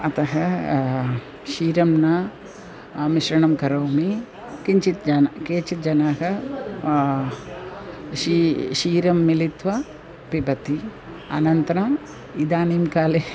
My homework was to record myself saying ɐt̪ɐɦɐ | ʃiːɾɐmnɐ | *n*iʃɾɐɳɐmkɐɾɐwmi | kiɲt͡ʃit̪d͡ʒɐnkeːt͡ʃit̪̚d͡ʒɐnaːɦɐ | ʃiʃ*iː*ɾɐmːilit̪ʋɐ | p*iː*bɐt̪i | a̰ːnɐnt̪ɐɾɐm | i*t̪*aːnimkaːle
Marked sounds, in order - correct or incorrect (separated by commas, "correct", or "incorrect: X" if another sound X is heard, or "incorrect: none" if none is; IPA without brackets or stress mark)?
incorrect: m, correct, incorrect: i, incorrect: d̪